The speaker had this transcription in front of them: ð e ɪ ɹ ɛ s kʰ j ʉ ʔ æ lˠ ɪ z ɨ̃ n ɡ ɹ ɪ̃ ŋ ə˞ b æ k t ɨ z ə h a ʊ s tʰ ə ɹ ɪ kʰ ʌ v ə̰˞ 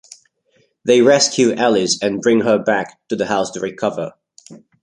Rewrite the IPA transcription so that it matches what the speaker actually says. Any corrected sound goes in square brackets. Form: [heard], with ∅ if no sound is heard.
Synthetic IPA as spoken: ð e ɪ ɹ ɛ s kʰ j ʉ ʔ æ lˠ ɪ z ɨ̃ n [b] ɹ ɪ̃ ŋ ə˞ b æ k t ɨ [ð] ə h a ʊ s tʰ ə ɹ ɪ kʰ ʌ v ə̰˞